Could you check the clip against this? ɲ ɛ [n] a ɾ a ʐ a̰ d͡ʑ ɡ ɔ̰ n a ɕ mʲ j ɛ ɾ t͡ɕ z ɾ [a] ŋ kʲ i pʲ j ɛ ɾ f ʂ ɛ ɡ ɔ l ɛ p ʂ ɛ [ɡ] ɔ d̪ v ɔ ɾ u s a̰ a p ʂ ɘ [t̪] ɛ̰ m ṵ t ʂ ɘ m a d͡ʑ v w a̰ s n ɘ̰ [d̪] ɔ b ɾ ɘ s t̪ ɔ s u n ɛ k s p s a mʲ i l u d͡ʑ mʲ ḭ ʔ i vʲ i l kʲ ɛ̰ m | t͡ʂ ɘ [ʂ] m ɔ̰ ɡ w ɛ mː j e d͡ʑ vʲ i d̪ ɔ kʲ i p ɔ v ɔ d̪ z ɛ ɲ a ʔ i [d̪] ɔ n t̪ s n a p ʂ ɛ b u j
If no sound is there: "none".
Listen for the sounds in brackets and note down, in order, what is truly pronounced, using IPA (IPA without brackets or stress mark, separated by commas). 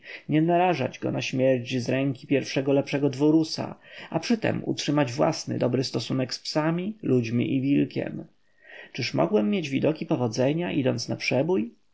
n, ɛ, ɡ, t̪, d̪, ʂ, d̪